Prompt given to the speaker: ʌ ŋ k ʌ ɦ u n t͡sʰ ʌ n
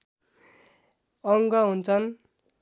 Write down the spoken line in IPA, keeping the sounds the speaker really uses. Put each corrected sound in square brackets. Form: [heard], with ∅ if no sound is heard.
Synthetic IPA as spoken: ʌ ŋ [ɡ] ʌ ɦ u n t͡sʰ ʌ n